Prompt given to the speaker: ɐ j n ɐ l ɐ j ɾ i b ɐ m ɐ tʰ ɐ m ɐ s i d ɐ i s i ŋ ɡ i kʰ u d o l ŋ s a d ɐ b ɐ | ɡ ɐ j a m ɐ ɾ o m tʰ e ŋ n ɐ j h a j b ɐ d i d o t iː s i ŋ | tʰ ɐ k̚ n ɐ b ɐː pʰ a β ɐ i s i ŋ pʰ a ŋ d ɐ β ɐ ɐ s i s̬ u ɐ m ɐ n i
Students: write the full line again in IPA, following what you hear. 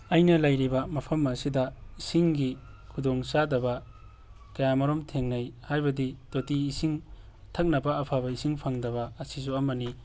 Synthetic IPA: ɐ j n ɐ l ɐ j ɾ i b ɐ m ɐ pʰ ɐ m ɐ s i d ɐ i s i ŋ ɡ i kʰ u d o ŋ s a d ɐ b ɐ | k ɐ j a m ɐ ɾ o m tʰ e ŋ n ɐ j h a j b ɐ d i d o t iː s i ŋ | tʰ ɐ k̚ n ɐ b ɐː pʰ a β ɐ i s i ŋ pʰ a ŋ d ɐ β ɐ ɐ s i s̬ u ɐ m ɐ n i

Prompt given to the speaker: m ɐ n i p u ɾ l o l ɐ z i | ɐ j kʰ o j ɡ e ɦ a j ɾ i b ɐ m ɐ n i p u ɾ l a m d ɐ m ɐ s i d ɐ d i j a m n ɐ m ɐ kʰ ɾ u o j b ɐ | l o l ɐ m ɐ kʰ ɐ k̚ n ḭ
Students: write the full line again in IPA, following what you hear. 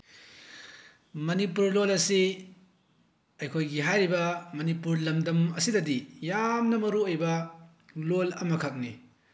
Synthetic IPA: m ɐ n i p u ɾ l o l ɐ s i | ɐ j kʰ o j ɡ i ɦ a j ɾ i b ɐ m ɐ n i p u ɾ l ɐ m d ɐ m ɐ s i d ɐ d i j a m n ɐ m ɐ ɾ u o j b ɐ | l o l ɐ m ɐ kʰ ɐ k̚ n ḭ

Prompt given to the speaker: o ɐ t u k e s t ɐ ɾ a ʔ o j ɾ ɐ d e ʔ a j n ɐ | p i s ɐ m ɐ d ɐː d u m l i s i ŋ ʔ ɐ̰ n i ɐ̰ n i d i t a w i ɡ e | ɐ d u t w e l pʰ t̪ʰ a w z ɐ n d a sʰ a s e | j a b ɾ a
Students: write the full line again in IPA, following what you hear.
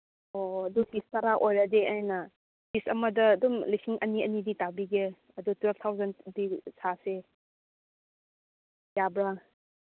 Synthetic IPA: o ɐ d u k i s t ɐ ɾ a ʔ o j ɾ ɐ d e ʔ a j n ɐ | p i s ɐ m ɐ d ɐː d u m l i s i ŋ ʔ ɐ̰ n i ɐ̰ n i d i t a b i ɡ e | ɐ d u t w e l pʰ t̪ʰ a w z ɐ n d i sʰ a s e | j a b ɾ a

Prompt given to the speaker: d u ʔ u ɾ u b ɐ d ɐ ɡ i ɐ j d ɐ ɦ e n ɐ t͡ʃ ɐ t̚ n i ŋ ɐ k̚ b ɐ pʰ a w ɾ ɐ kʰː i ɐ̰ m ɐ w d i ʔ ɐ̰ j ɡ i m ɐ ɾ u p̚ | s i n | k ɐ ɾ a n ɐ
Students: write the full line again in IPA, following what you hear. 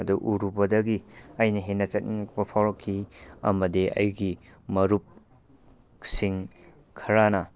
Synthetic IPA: d u ʔ u ɾ u b ɐ d ɐ ɡ i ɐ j n ɐ ɦ e n ɐ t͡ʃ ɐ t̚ n i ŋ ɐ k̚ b ɐ pʰ a w ɾ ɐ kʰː i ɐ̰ m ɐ d i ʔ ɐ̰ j ɡ i m ɐ ɾ u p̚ | s i ŋ | kʰ ɐ ɾ a n ɐ

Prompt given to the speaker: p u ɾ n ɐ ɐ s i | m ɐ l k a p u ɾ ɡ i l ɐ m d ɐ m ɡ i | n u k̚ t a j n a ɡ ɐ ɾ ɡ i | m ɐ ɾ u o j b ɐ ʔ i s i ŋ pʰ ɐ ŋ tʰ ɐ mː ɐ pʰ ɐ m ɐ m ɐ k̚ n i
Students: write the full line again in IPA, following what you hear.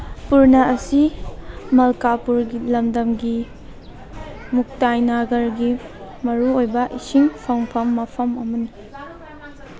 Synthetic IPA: p u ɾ n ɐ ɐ s i | m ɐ l k a p u ɾ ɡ i l ɐ m d ɐ m ɡ i | m u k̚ t a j n a ɡ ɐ ɾ ɡ i | m ɐ ɾ u o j b ɐ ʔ i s i ŋ pʰ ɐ ŋ pʰ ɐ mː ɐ pʰ ɐ m ɐ m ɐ n i

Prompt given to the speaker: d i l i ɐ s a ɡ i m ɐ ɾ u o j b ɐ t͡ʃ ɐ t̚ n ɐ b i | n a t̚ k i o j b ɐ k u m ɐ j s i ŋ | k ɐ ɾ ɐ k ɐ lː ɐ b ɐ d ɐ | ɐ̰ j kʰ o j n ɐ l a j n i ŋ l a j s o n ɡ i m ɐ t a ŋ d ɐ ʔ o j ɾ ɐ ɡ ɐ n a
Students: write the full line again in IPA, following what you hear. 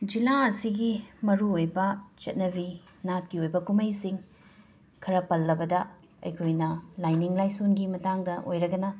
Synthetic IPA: d͡ʒ i l a ɐ s i ɡ i m ɐ ɾ u o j b ɐ t͡ʃ ɐ t̚ n ɐ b i | n a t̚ k i o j b ɐ k u m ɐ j s i ŋ | kʰ ɐ ɾ ɐ p ɐ lː ɐ b ɐ d ɐ | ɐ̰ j kʰ o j n ɐ l a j n i ŋ l a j s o n ɡ i m ɐ t a ŋ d ɐ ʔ o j ɾ ɐ ɡ ɐ n ɐ

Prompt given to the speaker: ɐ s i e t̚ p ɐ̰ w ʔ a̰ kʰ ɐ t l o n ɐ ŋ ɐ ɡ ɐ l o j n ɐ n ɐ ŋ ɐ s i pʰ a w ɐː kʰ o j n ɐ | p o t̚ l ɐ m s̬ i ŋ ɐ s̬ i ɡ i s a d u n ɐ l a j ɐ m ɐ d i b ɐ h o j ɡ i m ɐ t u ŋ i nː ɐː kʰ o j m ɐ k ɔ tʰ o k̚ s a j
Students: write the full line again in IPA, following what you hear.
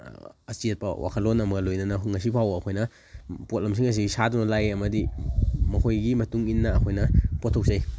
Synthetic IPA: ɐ s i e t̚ p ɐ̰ w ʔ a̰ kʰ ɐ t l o n ɐ m ɐ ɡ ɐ l o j n ɐ n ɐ ŋ ɐ s i pʰ a w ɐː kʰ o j n ɐ | p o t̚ l ɐ m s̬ i ŋ ɐ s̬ i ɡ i s a d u n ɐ l a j ɐ m ɐ d i m ɐ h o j ɡ i m ɐ t u ŋ i nː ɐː kʰ o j n ɐ p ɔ tʰ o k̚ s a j

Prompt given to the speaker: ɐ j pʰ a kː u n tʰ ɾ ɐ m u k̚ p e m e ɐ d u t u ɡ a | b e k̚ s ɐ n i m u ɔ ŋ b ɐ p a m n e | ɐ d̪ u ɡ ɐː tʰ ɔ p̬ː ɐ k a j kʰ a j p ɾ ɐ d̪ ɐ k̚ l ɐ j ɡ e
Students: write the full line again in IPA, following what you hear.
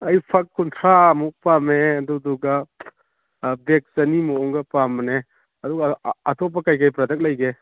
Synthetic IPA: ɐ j pʰ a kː u n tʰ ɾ a m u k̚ p a m e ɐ d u d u ɡ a | b e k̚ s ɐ n i m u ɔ ŋ ɡ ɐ p a m n e | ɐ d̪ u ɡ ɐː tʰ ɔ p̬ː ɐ k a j k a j p ɾ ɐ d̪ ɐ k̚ l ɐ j ɡ e

